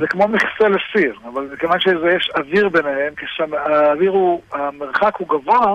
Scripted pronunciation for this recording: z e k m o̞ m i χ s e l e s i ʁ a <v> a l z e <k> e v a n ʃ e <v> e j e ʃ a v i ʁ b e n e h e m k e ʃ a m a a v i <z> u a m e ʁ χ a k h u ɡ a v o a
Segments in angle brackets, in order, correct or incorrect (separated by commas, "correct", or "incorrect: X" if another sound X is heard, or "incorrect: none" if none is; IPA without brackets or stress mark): correct, correct, incorrect: z, incorrect: ʁ